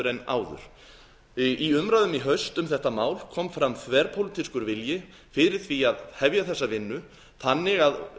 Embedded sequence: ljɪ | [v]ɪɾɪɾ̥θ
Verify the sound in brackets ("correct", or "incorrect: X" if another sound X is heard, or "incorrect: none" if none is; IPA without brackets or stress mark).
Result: incorrect: f